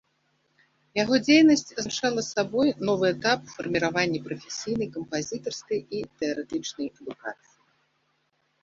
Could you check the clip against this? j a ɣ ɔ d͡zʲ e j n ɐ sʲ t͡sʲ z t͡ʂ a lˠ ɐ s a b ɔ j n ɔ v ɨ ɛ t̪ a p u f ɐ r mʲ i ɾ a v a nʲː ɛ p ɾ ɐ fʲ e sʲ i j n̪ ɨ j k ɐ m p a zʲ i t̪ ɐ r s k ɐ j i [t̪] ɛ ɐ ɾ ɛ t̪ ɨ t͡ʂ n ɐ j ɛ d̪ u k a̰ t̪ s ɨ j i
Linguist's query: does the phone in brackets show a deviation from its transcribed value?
no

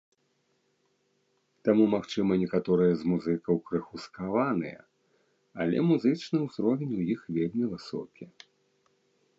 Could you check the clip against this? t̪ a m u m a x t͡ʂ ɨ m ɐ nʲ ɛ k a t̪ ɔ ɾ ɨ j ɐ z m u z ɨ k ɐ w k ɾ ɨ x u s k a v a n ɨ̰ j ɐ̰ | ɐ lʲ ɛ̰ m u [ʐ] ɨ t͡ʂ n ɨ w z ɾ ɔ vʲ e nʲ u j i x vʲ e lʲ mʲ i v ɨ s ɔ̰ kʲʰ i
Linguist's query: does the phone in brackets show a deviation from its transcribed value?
yes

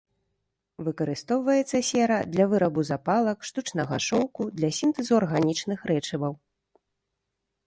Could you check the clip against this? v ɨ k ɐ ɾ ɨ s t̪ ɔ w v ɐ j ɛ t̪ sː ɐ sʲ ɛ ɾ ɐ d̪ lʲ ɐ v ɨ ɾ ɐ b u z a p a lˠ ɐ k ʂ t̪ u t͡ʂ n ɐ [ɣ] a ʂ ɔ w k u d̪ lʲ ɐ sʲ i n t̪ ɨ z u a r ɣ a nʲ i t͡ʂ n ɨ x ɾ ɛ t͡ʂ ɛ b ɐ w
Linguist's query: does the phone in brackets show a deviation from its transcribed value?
no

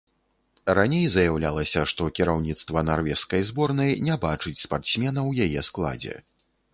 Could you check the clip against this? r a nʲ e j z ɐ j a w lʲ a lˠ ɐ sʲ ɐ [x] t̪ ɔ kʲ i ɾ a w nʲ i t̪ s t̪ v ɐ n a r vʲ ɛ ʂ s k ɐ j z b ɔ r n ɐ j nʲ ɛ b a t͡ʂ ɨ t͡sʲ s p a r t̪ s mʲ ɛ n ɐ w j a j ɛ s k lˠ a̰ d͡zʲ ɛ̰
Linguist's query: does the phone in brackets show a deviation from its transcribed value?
yes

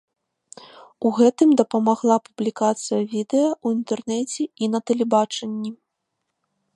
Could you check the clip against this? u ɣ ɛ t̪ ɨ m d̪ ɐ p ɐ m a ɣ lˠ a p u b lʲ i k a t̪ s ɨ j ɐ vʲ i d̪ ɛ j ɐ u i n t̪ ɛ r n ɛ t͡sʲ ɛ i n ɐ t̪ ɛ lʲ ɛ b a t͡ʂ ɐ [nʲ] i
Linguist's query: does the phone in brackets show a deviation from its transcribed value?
yes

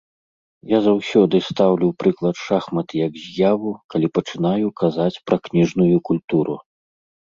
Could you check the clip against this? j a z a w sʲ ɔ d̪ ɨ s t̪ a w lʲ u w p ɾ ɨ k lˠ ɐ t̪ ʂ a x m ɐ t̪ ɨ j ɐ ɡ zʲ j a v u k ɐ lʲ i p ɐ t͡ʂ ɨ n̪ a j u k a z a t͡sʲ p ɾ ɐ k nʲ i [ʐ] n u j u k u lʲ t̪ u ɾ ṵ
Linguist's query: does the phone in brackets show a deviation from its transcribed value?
no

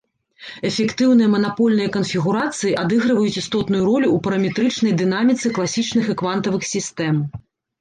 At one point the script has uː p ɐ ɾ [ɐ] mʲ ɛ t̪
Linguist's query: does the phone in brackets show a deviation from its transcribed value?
no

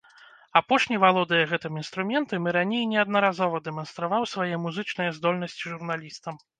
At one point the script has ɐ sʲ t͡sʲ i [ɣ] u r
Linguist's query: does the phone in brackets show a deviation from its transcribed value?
yes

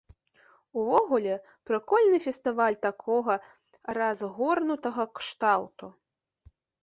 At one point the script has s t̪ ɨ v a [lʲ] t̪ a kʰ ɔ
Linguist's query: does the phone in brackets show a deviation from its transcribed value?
no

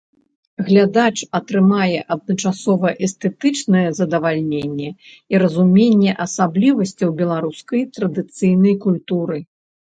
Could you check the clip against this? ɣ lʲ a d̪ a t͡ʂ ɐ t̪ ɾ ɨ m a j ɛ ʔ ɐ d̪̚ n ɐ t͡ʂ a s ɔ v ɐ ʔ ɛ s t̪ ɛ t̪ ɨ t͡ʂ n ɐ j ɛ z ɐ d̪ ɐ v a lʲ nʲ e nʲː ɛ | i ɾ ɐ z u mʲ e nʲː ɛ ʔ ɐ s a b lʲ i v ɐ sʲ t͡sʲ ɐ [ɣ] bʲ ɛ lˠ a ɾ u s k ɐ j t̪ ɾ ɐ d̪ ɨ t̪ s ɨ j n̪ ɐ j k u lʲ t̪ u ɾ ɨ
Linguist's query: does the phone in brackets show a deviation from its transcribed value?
yes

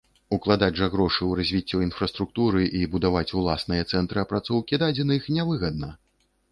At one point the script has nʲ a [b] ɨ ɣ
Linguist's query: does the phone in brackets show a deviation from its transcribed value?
yes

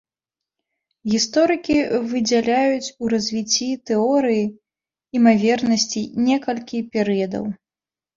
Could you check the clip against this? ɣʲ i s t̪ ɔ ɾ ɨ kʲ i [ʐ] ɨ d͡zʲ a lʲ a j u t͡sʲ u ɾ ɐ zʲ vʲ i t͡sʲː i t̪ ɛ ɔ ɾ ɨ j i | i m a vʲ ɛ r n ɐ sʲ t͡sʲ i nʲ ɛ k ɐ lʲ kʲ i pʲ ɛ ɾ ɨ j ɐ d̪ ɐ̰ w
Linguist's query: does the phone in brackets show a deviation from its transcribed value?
yes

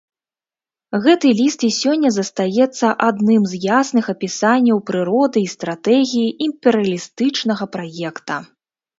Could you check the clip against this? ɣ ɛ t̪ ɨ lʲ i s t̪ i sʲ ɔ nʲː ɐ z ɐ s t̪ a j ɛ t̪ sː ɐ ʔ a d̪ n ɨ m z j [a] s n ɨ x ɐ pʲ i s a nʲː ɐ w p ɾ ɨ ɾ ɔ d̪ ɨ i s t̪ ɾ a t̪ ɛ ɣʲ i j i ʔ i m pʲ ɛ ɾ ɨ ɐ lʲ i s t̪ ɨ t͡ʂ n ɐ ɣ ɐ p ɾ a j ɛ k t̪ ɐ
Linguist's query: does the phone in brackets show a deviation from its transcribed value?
no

